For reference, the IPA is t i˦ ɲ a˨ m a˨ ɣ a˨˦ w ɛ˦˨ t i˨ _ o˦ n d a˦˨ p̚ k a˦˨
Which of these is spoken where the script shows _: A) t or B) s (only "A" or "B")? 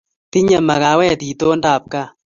A